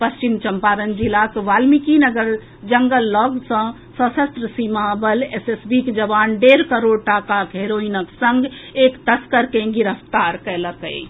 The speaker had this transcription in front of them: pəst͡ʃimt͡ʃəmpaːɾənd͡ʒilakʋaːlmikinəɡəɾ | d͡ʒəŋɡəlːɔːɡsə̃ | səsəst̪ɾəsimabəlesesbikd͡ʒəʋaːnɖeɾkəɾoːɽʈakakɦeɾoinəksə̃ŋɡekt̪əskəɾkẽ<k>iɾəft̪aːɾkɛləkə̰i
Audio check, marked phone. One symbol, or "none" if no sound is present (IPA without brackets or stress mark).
ɡ